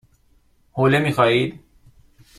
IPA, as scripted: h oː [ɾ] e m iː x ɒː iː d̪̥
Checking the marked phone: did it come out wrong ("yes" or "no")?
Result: yes